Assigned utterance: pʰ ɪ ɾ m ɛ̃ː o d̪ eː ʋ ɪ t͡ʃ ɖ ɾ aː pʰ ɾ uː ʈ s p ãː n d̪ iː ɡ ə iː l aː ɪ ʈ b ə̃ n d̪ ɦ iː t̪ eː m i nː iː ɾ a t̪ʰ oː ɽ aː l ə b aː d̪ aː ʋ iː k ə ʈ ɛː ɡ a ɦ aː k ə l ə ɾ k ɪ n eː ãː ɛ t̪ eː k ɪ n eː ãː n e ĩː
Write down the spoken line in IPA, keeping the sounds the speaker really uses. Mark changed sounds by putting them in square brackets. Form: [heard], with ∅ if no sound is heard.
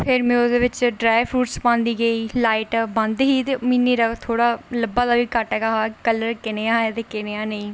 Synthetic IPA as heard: pʰ ɪ ɾ m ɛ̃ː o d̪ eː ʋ ɪ t͡ʃ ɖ ɾ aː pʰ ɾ uː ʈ s p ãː n d̪ iː ɡ ə iː l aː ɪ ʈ b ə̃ n d̪ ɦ iː t̪ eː m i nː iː ɾ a t̪ʰ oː ɽ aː l ə b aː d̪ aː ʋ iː k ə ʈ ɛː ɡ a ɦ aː k ə l ə ɾ k ɪ n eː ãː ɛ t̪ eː k ɪ n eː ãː n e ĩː

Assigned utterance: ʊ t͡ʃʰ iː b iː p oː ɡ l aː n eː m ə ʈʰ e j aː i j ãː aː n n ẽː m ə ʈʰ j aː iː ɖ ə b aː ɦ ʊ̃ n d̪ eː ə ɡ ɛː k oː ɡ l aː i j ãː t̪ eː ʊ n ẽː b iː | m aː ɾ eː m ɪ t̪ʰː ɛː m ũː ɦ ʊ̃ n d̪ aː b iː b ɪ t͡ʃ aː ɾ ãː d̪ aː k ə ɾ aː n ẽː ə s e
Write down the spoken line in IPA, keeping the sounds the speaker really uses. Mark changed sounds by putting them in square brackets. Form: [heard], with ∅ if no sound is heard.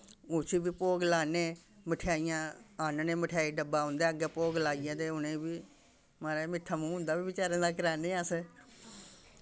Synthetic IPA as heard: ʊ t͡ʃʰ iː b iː p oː ɡ l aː n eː m ə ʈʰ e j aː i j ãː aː n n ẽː m ə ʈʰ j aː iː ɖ ə b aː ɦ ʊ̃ n d̪ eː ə ɡ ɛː [p] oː ɡ l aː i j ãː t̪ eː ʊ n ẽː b iː | m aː ɾ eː m ɪ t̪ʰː [aː] m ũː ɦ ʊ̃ n d̪ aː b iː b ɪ t͡ʃ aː ɾ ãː d̪ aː k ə ɾ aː n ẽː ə s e

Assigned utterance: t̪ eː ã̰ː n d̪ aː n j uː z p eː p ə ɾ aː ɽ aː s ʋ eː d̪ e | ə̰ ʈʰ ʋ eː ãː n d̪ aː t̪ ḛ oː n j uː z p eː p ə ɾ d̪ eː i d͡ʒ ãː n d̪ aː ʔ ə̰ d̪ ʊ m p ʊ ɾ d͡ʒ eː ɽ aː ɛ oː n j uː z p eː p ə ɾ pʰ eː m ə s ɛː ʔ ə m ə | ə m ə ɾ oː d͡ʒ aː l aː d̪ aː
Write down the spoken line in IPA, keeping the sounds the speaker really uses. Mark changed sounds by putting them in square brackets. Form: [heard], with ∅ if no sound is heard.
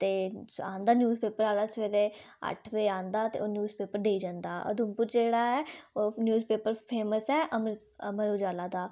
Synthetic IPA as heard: t̪ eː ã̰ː n d̪ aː n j uː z p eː p ə ɾ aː [l] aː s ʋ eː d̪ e | ə̰ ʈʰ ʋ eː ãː n d̪ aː t̪ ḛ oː n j uː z p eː p ə ɾ d̪ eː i d͡ʒ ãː n d̪ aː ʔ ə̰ d̪ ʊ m p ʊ ɾ d͡ʒ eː ɽ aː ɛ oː n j uː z p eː p ə ɾ pʰ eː m ə s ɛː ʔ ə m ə | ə m ə ɾ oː d͡ʒ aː l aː d̪ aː

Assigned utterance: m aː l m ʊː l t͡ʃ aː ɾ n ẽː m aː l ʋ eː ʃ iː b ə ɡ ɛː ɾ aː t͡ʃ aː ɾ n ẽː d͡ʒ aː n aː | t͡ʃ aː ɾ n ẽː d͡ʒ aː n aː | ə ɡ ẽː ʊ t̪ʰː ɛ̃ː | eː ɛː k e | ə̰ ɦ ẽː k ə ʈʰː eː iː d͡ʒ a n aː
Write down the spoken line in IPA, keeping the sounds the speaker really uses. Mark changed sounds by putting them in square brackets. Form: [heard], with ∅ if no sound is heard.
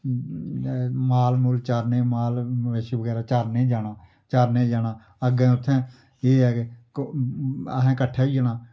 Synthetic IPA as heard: m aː l m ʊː l t͡ʃ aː ɾ n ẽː m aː l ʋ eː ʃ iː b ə ɡ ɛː ɾ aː t͡ʃ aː ɾ n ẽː d͡ʒ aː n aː | t͡ʃ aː ɾ n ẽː d͡ʒ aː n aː | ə ɡ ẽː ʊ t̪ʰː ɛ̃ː | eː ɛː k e | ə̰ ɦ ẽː k ə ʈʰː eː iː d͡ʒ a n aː

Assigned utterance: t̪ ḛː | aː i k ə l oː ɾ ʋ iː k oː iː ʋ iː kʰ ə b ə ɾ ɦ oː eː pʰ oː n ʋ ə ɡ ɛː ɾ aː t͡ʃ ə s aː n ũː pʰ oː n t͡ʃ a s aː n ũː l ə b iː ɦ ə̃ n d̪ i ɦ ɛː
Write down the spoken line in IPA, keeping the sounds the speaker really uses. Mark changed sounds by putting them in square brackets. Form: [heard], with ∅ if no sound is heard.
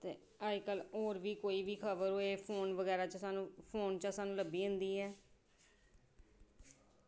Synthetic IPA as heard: t̪ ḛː | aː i k ə l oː ɾ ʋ iː k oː iː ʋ iː kʰ ə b ə ɾ ɦ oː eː pʰ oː n ʋ ə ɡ ɛː ɾ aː t͡ʃ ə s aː n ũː pʰ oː n t͡ʃ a s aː n ũː l ə b iː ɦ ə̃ n d̪ [iː] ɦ ɛː

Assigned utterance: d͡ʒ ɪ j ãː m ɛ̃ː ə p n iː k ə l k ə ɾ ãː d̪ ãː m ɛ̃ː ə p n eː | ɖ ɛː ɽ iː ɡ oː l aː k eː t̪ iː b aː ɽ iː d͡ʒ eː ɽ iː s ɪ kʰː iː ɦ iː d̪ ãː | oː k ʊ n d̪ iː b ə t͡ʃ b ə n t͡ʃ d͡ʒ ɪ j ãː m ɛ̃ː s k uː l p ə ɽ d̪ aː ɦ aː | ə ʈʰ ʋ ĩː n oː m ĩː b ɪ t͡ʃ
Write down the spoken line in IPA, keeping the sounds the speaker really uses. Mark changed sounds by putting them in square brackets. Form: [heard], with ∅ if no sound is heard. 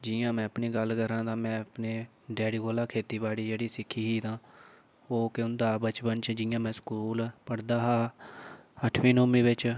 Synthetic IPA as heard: d͡ʒ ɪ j ãː m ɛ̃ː ə p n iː [ɡ] ə l k ə ɾ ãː d̪ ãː m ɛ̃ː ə p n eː | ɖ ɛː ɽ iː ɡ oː l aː [kʰ] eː t̪ iː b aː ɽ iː d͡ʒ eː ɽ iː s ɪ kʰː iː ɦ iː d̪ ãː | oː k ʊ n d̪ [aː] b ə t͡ʃ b ə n t͡ʃ d͡ʒ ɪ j ãː m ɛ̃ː s k uː l p ə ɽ d̪ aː ɦ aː | ə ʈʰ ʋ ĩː n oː m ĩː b ɪ t͡ʃ

